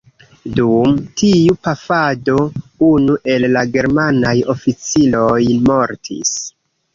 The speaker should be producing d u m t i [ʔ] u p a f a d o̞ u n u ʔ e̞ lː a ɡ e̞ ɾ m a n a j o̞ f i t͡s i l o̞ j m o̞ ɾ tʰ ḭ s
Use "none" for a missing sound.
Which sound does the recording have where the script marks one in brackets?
none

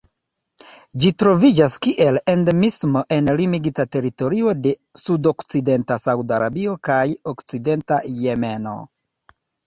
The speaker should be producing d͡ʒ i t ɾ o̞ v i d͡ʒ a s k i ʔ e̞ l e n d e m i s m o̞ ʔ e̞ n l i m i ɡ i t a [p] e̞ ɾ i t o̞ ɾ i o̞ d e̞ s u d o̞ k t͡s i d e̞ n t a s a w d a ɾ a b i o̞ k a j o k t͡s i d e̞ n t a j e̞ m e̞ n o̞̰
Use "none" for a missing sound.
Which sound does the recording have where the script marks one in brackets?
t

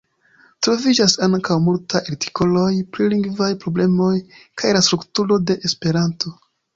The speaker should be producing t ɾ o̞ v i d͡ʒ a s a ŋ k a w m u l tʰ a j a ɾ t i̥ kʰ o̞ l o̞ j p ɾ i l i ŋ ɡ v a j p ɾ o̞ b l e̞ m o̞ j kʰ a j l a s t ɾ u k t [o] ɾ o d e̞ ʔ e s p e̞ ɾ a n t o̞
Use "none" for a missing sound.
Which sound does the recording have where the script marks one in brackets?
u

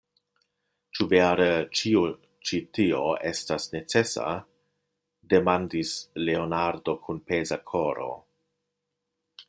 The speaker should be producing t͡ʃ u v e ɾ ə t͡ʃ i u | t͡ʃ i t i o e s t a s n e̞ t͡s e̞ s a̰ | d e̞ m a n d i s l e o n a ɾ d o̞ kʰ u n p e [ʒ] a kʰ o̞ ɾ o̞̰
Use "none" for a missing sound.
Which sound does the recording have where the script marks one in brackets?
z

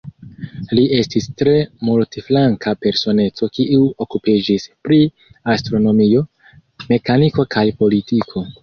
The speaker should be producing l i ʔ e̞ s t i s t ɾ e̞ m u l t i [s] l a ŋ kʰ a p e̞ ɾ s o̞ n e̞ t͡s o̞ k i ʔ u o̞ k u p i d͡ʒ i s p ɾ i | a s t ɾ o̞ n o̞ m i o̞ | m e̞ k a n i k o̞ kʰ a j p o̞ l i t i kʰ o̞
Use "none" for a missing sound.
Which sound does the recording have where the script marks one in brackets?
f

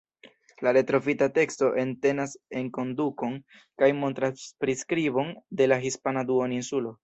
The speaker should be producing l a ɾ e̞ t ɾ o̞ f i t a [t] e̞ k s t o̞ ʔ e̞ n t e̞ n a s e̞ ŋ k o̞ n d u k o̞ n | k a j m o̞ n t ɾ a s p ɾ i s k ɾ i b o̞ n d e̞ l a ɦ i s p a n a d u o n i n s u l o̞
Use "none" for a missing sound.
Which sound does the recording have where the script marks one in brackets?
t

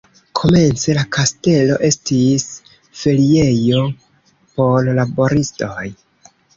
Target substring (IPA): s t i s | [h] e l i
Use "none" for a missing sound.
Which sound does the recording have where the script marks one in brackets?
f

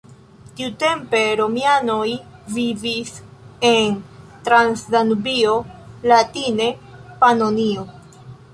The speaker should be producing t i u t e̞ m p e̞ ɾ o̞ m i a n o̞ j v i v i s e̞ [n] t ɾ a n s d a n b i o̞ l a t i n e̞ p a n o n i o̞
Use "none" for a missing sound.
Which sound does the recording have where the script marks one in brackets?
n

